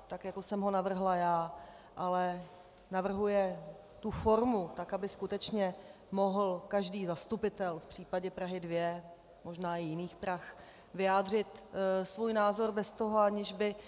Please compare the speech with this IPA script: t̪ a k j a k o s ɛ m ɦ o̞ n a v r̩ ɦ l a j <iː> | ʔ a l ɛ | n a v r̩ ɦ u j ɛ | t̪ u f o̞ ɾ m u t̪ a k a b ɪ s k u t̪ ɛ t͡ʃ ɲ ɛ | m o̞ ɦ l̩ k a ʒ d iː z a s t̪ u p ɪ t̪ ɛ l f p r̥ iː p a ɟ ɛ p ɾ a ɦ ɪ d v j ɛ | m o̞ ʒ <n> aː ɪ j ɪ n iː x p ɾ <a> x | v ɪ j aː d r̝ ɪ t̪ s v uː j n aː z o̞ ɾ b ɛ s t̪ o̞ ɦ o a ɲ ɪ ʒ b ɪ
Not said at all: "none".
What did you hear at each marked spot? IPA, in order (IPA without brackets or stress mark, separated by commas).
aː, n, a